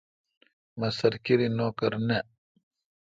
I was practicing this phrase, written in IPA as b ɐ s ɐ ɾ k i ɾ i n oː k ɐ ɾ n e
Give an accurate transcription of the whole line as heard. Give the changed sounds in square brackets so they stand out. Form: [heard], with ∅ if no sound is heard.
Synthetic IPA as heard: [m] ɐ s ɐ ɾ k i ɾ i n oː k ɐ ɾ n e